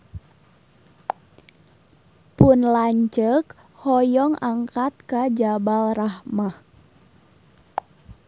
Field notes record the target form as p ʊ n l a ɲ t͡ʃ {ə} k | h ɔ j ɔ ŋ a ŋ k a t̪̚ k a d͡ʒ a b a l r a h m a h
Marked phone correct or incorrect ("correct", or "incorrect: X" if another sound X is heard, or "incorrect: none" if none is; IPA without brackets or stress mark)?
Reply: correct